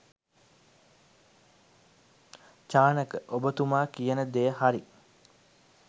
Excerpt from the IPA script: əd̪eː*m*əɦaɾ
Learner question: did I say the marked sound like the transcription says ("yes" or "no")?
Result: no